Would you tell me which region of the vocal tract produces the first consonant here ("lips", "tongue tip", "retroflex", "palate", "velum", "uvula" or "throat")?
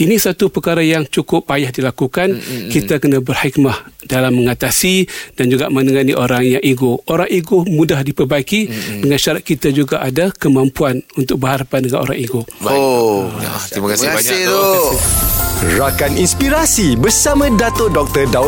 tongue tip